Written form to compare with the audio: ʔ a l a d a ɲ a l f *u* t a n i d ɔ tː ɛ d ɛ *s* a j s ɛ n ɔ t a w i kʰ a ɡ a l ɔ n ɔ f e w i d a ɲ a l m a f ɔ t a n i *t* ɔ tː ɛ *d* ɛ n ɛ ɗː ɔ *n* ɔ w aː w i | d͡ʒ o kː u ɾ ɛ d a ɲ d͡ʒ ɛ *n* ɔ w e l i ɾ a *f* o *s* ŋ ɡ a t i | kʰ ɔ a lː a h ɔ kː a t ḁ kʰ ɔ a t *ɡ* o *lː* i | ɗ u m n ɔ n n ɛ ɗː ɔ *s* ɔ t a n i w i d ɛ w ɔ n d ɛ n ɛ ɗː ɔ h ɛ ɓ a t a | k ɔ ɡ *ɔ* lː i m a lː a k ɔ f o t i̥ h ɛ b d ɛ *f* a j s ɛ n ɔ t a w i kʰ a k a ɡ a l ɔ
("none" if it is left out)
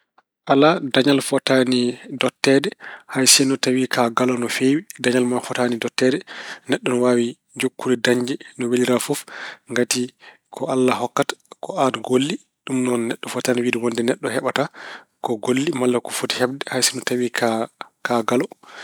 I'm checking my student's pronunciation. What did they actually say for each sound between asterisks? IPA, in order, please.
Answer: ɔ, h, d, d, n, n, f, f, ɡ, lː, f, o, h

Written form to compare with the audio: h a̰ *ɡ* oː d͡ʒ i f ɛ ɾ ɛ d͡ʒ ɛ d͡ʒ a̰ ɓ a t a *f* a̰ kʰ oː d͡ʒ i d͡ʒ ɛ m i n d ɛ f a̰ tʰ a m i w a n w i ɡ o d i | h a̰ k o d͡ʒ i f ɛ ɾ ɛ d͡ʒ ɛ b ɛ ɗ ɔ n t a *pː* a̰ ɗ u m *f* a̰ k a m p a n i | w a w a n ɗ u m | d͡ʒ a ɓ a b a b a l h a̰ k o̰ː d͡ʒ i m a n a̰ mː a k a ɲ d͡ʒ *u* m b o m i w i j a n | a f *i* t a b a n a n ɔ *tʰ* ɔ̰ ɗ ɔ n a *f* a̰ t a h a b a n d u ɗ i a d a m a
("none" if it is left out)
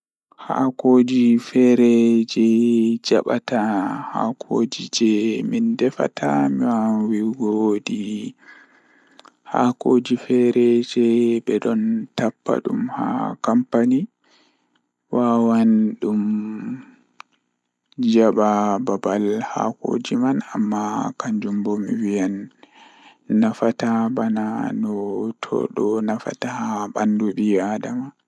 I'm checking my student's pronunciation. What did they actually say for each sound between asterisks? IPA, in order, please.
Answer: k, h, pː, h, u, a, tʰ, f

